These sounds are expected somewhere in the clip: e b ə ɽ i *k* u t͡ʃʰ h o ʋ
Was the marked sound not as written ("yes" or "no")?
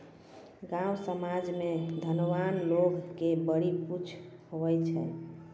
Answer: yes